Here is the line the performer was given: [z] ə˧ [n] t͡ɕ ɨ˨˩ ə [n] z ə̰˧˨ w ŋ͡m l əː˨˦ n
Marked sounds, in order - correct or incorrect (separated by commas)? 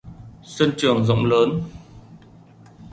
incorrect, correct, incorrect